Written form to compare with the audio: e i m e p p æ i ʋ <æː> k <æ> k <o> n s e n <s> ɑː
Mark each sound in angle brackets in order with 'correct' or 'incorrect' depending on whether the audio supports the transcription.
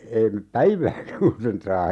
correct, correct, incorrect: u, correct

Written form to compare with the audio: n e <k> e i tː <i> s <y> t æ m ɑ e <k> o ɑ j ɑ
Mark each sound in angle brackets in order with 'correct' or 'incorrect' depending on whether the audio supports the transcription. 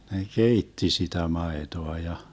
correct, correct, incorrect: i, incorrect: t

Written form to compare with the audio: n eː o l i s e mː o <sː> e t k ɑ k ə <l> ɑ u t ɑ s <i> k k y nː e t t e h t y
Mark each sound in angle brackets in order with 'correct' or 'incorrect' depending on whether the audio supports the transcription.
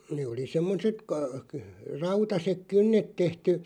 incorrect: s, incorrect: r, incorrect: e

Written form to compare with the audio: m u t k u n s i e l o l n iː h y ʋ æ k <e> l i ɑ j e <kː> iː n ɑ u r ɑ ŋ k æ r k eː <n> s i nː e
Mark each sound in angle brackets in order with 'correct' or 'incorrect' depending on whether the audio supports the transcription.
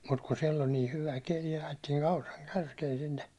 correct, incorrect: tː, correct

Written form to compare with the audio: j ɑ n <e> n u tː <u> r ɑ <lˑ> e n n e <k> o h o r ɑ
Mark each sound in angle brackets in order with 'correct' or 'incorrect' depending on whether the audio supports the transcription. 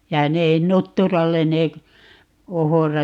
correct, correct, correct, correct

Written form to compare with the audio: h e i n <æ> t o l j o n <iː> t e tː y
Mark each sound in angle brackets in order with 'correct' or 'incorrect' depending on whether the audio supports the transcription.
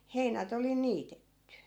correct, correct

